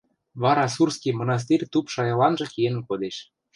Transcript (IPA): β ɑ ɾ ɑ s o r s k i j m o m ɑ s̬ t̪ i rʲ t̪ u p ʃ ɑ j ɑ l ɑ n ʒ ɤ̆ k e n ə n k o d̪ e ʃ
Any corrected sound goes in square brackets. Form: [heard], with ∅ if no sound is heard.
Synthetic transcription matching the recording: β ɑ ɾ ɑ s [u] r s k i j m o [n] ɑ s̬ t̪ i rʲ t̪ u p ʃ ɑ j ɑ l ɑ n ʒ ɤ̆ k e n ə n k o d̪ e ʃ